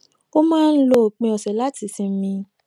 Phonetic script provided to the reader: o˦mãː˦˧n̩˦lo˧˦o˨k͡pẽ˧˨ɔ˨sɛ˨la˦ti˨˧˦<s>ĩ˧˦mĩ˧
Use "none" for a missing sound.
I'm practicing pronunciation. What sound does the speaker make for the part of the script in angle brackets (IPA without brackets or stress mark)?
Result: s